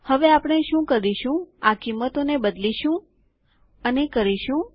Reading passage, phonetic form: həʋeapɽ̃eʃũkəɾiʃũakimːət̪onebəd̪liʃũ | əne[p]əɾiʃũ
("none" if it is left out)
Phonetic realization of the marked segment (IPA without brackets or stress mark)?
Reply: k